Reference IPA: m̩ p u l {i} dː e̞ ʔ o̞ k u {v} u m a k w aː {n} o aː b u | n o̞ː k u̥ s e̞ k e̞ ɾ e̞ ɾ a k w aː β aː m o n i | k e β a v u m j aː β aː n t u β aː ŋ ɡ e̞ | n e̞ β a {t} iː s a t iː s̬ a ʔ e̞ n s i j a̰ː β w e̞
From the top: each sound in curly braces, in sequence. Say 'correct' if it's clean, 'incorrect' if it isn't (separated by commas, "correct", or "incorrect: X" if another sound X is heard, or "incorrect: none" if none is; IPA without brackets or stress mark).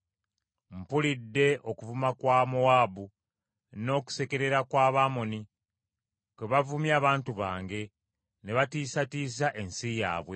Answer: correct, correct, incorrect: m, correct